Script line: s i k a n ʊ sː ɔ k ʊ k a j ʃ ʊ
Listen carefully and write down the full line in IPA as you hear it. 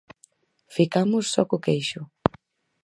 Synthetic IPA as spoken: f i k a m ʊ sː ɔ k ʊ k e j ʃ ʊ

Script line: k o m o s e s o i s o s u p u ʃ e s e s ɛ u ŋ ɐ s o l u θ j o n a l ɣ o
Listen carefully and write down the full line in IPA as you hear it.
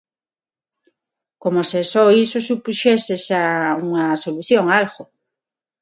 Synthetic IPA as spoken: k o m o s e s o i s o s u p u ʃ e s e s a u ŋ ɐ s o l u θ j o ŋ a l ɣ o

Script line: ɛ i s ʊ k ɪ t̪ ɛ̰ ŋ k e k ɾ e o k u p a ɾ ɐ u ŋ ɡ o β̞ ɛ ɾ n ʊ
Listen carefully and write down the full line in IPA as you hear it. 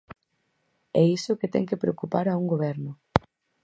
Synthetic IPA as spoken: ɛ i s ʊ k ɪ t̪ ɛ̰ ŋ k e p ɾ e o k u p a ɾ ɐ u ŋ ɡ o β̞ ɛ ɾ n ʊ

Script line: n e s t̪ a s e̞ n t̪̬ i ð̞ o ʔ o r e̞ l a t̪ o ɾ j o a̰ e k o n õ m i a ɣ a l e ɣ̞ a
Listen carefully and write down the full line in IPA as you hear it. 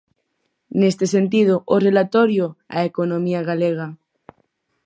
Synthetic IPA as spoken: n e s t̪ e s e̞ n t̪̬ i ð̞ o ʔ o r e̞ l a t̪ o ɾ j o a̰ e k o n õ m i a ɣ a l e ɣ̞ a

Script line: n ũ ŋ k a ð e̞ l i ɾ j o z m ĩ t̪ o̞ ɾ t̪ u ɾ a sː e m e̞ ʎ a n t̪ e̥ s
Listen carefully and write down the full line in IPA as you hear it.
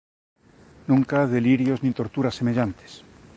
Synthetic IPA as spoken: n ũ ŋ k a ð e̞ l i ɾ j o z n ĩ t̪ o̞ ɾ t̪ u ɾ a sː e m e̞ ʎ a n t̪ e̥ s

